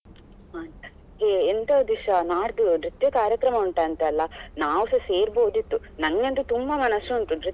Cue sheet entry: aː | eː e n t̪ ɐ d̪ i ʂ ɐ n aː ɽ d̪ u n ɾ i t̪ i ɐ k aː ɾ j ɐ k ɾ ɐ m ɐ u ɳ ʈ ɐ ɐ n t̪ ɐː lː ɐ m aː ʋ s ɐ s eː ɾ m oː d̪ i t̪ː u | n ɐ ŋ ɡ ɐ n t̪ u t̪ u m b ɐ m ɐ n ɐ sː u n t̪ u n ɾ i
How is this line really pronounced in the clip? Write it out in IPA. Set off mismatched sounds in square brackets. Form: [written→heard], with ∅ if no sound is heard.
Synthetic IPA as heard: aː | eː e n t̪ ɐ d̪ i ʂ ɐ n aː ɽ d̪ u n ɾ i t̪ [i→j] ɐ k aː ɾ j ɐ k ɾ ɐ m ɐ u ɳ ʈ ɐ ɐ n t̪ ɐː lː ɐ [m→n] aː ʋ s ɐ s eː ɾ [m→b] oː d̪ i t̪ː u | n ɐ ŋ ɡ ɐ n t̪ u t̪ u m b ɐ m ɐ n ɐ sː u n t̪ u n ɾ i